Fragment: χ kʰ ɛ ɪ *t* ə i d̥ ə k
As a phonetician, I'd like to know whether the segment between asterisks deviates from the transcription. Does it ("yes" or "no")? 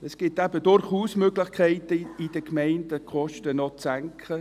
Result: no